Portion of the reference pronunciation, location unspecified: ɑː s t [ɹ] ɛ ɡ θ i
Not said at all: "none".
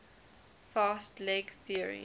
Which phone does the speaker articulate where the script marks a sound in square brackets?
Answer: l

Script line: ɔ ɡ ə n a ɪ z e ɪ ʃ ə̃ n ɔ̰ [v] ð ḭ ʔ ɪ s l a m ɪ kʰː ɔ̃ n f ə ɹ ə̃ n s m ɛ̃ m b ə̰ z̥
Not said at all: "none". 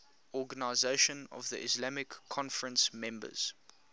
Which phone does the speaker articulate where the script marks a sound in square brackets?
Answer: v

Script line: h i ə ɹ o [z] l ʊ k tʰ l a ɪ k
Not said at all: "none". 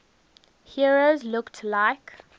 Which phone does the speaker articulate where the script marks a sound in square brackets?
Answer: z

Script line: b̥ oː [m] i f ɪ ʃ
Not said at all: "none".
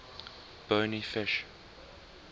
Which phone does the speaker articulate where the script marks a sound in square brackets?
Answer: n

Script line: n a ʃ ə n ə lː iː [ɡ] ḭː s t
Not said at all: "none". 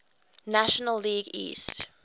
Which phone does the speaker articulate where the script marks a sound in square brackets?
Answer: ɡ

